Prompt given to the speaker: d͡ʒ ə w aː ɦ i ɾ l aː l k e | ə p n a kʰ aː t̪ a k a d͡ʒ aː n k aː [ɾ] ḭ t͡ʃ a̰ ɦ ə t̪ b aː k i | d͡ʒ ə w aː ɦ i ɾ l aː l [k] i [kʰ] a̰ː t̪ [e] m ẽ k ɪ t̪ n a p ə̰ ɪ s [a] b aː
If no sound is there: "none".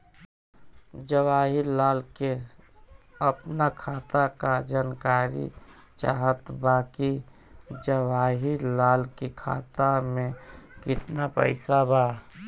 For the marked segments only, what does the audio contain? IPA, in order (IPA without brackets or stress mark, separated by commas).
ɾ, k, kʰ, a, a